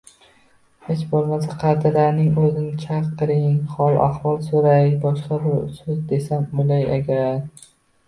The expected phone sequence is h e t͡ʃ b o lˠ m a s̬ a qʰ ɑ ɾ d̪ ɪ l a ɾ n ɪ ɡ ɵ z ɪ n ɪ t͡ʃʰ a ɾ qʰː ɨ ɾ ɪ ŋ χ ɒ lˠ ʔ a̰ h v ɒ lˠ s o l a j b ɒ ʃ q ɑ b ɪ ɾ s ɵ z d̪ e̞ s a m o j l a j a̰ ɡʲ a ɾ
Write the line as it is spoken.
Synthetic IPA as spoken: h e t͡ʃ b o lˠ m a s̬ a qʰ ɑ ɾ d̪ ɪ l a ɾ n ɪ ŋ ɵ z ɪ n ɪ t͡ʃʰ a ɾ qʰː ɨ ɾ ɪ ŋ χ ɒ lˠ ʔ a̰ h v ɒ lˠ s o ɾ a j b ɒ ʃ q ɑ b ɪ ɾ s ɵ z d̪ e̞ s a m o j l a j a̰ ɡʲ a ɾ